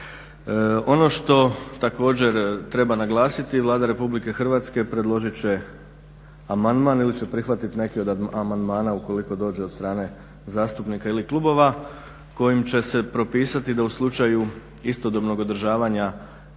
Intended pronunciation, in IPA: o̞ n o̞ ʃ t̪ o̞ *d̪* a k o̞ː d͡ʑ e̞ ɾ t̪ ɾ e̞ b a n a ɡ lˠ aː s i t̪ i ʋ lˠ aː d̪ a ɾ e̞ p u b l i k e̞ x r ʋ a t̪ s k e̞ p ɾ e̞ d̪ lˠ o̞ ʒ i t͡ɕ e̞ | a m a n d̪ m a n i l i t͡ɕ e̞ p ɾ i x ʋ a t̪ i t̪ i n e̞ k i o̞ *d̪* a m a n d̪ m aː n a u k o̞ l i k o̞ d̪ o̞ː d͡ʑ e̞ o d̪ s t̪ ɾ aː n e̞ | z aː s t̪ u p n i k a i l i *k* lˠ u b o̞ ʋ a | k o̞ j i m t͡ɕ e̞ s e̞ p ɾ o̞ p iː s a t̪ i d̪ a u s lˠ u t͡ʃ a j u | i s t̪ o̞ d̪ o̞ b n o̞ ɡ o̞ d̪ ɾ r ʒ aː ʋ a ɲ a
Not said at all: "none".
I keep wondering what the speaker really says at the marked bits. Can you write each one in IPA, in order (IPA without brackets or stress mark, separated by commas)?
t̪, d̪, k